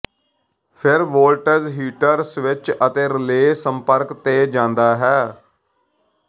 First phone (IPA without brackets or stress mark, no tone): pʰ